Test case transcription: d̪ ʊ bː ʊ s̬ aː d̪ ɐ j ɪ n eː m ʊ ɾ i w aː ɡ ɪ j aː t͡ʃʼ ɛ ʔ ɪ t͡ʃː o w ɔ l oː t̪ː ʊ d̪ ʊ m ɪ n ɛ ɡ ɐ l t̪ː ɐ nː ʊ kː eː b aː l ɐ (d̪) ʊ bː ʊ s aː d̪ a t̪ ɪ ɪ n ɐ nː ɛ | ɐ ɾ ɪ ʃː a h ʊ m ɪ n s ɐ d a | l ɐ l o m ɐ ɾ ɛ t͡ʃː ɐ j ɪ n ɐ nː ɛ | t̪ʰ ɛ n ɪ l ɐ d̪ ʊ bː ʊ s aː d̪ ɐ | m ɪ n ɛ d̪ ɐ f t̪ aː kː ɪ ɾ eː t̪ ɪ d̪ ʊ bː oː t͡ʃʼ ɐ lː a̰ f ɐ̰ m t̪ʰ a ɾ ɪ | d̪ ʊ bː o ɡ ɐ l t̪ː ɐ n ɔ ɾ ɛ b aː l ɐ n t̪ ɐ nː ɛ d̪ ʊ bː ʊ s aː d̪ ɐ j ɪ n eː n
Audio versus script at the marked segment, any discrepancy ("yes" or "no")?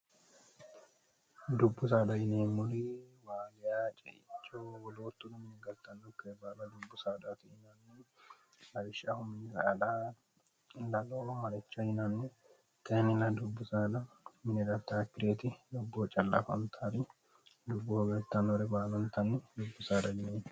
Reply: no